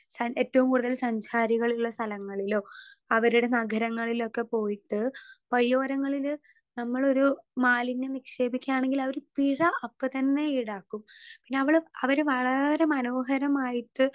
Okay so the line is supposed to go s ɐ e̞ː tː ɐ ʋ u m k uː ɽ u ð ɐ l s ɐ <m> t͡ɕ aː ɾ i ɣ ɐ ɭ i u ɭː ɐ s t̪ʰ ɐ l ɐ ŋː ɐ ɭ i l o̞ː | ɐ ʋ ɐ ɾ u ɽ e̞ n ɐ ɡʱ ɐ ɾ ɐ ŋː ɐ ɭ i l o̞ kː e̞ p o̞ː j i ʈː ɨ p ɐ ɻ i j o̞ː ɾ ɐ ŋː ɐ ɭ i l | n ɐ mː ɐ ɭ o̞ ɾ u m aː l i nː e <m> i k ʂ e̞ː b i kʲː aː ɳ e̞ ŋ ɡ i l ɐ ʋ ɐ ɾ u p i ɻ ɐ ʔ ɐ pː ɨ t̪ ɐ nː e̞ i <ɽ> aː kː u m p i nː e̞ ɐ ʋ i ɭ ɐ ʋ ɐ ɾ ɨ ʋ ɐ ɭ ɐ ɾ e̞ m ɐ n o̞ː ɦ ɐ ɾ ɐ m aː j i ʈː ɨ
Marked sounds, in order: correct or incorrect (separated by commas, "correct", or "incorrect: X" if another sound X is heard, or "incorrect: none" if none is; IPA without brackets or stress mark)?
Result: incorrect: ɲ, incorrect: n, correct